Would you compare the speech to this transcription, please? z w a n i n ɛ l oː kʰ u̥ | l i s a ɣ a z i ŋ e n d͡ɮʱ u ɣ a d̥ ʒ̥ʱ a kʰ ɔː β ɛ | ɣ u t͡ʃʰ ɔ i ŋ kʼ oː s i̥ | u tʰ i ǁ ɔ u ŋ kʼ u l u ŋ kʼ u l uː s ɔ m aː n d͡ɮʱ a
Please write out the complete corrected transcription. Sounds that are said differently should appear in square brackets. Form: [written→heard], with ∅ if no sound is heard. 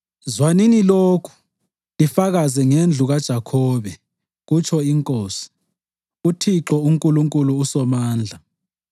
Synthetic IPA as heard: z w a n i n [ɛ→i] l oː kʰ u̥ | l i [s→f] a ɣ a z [i→ɛ] ŋ e n d͡ɮʱ u ɣ a d̥ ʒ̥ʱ a kʰ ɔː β ɛ | ɣ u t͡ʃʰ ɔ i ŋ kʼ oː s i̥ | u tʰ i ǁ ɔ u ŋ kʼ u l u ŋ kʼ u l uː s ɔ m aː n d͡ɮʱ a